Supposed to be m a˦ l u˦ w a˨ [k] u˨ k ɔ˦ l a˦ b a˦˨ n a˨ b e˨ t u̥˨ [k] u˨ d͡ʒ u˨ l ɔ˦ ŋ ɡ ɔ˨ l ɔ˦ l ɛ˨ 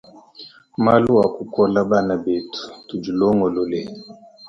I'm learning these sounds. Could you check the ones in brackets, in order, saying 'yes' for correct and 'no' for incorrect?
yes, no

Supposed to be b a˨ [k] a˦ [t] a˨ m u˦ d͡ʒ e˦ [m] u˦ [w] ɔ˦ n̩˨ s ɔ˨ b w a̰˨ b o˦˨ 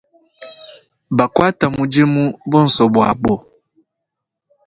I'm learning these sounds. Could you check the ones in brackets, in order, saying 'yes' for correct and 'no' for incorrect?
yes, yes, yes, no

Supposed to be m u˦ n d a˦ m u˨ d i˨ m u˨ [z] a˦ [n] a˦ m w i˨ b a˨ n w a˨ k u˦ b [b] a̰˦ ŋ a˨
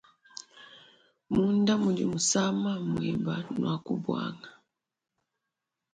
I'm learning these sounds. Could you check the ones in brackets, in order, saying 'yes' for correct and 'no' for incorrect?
no, no, no

